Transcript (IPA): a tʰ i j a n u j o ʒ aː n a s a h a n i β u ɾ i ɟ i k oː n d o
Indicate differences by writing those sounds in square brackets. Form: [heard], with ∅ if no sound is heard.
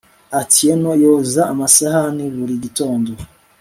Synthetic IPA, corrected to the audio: a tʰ i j [e] n [o] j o [z] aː [m] a s a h a n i β u ɾ i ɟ i [t] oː n d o